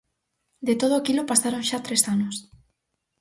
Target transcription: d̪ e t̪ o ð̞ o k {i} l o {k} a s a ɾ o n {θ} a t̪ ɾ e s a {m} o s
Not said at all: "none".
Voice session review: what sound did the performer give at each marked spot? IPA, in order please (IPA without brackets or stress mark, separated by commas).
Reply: i, p, ʃ, n